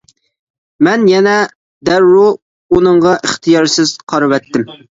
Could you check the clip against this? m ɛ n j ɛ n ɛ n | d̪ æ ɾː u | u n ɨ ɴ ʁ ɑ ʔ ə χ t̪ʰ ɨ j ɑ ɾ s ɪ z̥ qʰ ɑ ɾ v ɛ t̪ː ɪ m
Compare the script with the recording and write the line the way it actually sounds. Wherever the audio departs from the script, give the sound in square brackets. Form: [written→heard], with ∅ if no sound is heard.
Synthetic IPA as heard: m ɛ n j ɛ n ɛ [n→∅] | d̪ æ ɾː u | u n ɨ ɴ ʁ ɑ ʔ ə χ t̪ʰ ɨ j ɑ ɾ s ɪ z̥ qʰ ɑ ɾ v ɛ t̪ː ɪ m